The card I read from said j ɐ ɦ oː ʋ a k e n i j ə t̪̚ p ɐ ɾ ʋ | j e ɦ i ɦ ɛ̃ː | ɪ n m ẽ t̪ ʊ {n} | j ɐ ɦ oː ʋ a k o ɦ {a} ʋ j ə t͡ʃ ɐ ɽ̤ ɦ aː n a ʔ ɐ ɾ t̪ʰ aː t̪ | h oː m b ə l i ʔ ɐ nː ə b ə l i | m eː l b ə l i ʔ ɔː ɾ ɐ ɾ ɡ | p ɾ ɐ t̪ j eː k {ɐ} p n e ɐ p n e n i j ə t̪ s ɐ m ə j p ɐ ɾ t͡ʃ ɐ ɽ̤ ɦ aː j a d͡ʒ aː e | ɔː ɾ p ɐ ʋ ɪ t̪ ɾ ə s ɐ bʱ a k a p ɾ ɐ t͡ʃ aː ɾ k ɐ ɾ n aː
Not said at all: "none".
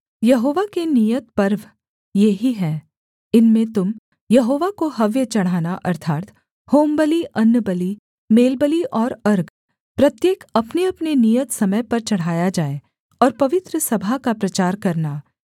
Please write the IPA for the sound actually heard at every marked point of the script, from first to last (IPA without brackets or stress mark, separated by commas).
m, ɐ, ɐ